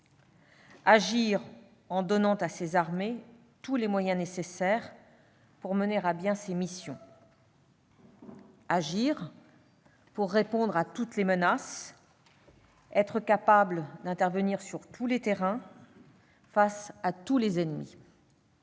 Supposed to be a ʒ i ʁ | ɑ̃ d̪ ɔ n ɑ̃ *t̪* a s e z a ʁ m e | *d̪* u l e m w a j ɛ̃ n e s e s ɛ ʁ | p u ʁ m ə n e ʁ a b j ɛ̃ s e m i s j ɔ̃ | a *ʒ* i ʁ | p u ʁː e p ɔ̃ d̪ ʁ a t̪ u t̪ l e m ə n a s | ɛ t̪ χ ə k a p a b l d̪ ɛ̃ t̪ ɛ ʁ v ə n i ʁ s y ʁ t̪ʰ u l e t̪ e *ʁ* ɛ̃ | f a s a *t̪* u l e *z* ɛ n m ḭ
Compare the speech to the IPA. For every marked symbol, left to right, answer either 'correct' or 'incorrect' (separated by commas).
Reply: correct, incorrect, correct, correct, correct, correct